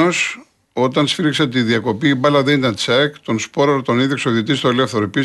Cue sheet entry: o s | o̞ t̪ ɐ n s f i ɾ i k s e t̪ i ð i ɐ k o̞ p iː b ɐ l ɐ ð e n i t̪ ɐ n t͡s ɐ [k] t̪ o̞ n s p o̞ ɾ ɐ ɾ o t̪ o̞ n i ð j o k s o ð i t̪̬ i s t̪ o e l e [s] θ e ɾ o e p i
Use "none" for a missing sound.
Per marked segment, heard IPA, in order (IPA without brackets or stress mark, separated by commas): k, f